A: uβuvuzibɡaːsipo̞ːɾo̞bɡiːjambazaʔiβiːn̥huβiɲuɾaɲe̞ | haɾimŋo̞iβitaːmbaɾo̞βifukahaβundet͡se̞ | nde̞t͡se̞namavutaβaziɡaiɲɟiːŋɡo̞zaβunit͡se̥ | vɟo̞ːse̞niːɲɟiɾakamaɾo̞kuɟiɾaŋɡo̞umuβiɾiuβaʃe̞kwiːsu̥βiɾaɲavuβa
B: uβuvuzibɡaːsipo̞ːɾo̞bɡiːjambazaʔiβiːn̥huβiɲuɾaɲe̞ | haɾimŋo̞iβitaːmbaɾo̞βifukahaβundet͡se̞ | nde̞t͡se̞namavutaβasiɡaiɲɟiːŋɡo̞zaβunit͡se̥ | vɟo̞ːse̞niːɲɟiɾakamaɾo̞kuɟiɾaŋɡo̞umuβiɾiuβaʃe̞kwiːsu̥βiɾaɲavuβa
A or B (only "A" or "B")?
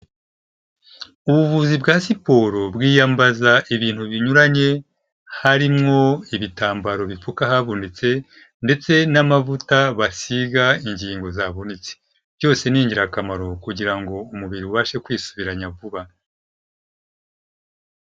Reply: B